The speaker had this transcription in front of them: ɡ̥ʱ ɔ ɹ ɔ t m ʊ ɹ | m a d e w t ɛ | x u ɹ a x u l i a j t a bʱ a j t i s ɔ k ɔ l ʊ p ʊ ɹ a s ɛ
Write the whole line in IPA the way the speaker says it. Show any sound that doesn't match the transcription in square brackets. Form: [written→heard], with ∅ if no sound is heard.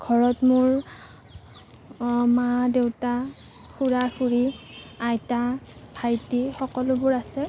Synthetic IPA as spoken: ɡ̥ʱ ɔ ɹ ɔ t m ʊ ɹ | m a d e w t [ɛ→a] | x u ɹ a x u [l→ɹ] i a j t a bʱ a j t i [s→x] ɔ k ɔ l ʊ [p→b] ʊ ɹ a s ɛ